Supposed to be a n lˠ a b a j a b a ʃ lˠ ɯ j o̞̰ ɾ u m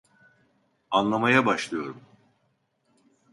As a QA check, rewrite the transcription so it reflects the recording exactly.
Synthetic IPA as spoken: a n lˠ a m a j a b a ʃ lˠ ɯ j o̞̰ ɾ u m

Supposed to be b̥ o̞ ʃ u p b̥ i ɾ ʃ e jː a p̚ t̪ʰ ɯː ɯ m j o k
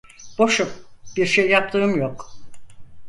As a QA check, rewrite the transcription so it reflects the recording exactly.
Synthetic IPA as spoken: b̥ o̞ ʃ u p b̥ i ɾ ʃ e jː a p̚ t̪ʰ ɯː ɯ m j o k

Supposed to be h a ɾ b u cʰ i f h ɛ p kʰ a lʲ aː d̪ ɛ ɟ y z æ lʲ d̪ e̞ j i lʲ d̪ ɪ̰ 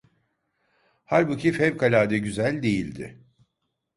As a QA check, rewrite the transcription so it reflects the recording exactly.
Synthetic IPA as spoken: h a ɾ b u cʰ i f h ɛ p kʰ a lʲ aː d̪ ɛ ɟ y z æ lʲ d̪ e̞ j i lʲ d̪ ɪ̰

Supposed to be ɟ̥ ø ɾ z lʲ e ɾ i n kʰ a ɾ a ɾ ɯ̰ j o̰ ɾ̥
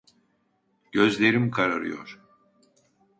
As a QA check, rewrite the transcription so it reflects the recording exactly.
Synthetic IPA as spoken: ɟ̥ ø z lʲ e ɾ i m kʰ a ɾ a ɾ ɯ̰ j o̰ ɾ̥

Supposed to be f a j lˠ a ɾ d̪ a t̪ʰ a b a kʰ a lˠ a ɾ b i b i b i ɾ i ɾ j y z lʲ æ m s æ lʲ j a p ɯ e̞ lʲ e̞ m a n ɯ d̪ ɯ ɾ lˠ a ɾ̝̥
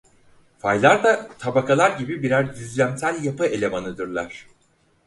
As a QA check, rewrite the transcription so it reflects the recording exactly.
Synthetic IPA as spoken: f a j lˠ a ɾ d̪ a t̪ʰ a b a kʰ a lˠ a ɾ ɟ i b i b i ɾ æ ɾ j y z lʲ æ m s æ lʲ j a p ɯ e̞ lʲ e̞ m a n ɯ d̪ ɯ ɾ lˠ a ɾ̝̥

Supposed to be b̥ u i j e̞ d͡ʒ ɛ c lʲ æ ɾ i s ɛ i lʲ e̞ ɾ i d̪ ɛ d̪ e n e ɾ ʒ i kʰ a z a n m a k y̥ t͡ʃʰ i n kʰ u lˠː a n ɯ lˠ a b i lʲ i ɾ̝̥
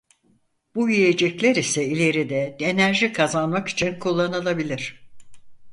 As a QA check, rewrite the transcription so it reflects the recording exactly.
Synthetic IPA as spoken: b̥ u i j e̞ d͡ʒ ɛ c lʲ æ ɾ i s ɛ i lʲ e̞ ɾ i d̪ ɛ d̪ e n æ ɾ ʒ i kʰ a z a n m a k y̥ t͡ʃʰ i n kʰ u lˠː a n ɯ lˠ a b i lʲ i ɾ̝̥

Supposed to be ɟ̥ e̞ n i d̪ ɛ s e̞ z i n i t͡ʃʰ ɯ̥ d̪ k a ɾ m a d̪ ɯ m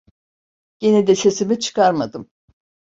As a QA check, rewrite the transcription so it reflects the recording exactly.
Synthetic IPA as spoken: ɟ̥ e̞ n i d̪ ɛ s e̞ s i m i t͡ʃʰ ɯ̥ k a ɾ m a d̪ ɯ m

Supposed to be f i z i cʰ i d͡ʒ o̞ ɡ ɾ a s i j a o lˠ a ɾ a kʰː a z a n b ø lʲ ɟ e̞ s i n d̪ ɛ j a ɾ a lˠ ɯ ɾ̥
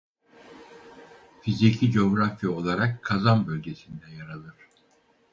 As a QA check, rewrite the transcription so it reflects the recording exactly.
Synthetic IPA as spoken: f i z i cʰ i d͡ʒ o̞ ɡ ɾ a f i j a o lˠ a ɾ a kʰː a z a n b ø lʲ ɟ e̞ s i n d̪ ɛ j a ɾ a lˠ ɯ ɾ̥

